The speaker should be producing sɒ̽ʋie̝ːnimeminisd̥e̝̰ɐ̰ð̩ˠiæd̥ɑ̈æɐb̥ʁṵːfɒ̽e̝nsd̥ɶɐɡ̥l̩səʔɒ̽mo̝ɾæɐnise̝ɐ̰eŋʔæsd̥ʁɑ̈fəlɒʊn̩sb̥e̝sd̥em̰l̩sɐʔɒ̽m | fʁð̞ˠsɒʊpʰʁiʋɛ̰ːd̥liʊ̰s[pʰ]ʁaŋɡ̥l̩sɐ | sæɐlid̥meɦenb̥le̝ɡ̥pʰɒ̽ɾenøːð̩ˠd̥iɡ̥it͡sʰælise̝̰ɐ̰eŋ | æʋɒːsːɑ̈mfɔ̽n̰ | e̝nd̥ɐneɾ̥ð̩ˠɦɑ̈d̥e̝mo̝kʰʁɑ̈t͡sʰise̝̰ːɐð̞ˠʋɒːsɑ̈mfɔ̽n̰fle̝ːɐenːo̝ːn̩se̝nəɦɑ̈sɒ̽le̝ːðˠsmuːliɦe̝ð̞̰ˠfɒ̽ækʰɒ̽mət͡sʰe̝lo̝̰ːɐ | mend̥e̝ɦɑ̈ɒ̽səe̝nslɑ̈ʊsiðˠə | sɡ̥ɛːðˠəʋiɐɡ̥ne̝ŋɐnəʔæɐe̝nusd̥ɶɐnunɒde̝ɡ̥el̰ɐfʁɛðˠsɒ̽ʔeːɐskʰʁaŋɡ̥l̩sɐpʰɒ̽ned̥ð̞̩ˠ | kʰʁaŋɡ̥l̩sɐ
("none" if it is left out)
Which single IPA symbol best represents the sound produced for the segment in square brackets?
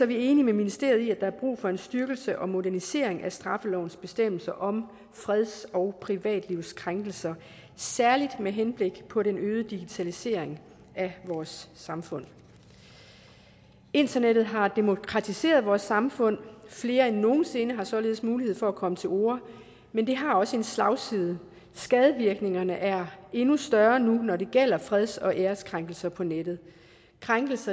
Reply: kʰ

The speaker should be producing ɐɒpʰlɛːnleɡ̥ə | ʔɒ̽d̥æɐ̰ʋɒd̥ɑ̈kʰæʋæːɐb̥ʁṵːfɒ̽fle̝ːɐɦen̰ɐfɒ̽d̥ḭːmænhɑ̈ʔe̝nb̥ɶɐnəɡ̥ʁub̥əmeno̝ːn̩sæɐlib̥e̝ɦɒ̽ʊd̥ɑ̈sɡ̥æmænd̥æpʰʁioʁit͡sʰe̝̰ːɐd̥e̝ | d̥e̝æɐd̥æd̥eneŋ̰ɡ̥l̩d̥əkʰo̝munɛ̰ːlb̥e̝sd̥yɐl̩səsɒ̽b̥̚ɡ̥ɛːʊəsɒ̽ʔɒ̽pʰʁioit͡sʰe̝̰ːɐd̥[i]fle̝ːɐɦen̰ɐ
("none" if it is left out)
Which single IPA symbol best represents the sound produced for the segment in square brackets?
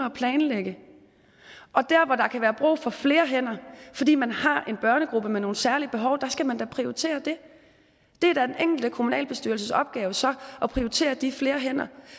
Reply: i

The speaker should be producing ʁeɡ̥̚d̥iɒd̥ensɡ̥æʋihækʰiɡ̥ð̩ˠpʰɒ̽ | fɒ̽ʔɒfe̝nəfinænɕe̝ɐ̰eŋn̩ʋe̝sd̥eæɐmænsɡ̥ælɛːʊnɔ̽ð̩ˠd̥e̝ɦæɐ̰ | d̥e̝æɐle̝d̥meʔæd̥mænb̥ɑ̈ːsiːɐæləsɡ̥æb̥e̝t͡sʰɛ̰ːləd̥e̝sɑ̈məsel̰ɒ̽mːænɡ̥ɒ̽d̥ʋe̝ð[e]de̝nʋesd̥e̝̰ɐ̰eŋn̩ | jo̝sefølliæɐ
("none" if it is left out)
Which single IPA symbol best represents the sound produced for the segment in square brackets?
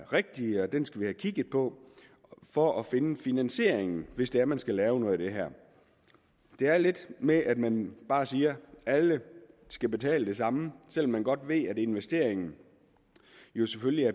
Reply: æ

